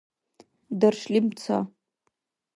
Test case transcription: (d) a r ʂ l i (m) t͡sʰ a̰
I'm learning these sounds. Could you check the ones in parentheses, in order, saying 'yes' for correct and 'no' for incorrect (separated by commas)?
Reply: yes, yes